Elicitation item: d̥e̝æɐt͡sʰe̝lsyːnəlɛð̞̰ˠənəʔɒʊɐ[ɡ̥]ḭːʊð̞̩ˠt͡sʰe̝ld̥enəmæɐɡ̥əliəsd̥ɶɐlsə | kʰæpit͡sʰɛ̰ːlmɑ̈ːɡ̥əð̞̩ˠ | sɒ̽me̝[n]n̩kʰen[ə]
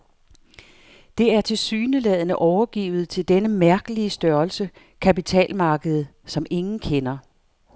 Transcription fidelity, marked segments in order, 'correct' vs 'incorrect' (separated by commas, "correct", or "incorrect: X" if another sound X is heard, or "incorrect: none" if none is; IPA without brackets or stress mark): correct, incorrect: ŋ, incorrect: ɐ